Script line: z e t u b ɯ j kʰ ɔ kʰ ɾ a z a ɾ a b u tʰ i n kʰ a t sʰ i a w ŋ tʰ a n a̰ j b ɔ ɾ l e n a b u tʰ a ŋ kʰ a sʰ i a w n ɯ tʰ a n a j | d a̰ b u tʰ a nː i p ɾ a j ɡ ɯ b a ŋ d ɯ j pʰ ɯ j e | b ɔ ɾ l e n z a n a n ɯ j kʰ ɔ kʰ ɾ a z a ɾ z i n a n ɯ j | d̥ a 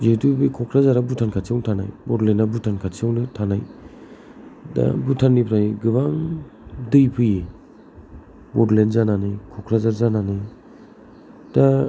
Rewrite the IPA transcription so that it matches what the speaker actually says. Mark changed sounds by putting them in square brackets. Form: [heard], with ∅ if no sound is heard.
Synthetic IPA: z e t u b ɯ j kʰ ɔ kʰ ɾ a z a ɾ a b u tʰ [a] n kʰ a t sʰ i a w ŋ tʰ a n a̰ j b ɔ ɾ l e n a b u tʰ a [n] kʰ a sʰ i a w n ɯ tʰ a n a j | d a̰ b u tʰ a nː i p ɾ a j ɡ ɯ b a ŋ d ɯ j pʰ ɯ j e | b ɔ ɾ l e n z a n a n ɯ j kʰ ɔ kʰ ɾ a z a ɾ z [a] n a n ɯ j | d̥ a